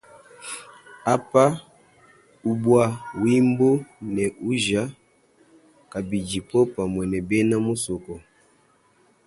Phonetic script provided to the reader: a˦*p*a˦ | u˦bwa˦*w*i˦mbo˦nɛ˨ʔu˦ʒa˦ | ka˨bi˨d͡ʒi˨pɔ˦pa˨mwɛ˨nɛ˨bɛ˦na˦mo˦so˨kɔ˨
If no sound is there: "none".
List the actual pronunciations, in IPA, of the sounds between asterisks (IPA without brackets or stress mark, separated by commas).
p, w